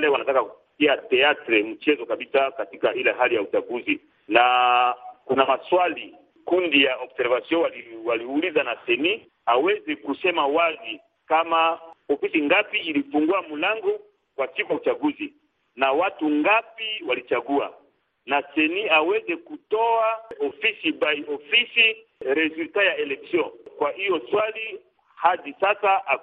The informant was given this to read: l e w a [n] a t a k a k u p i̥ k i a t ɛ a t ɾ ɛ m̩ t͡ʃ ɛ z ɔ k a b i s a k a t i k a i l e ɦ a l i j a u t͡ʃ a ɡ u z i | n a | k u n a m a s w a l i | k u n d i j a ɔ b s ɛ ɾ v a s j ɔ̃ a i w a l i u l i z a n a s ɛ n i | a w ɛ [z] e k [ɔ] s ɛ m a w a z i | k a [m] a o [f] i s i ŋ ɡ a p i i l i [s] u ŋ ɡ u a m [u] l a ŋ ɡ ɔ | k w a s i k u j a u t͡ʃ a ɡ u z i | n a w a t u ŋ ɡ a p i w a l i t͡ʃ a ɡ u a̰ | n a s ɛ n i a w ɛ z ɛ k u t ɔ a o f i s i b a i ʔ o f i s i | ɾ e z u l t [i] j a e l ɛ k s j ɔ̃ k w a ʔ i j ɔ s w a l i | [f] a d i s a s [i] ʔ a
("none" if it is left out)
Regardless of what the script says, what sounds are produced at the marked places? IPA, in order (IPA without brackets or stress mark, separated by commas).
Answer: n, z, u, m, f, f, u, a, h, a